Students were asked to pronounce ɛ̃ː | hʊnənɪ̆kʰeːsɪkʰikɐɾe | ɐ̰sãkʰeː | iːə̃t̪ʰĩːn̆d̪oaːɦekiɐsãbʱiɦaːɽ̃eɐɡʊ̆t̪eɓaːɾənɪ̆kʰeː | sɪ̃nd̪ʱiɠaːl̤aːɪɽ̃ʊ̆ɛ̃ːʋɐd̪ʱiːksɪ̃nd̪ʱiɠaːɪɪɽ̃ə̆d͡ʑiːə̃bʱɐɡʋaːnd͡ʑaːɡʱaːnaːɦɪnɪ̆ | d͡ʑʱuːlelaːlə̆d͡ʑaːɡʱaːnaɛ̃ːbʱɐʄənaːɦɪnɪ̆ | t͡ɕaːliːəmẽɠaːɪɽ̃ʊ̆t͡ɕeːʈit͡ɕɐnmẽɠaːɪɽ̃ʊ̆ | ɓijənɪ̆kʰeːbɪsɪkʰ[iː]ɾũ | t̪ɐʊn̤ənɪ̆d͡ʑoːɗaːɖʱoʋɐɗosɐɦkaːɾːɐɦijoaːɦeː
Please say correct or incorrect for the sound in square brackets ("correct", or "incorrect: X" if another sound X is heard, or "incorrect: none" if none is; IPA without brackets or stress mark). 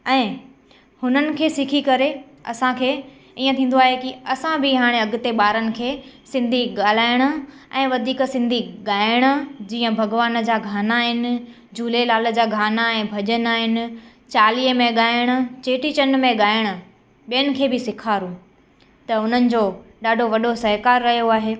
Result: incorrect: aː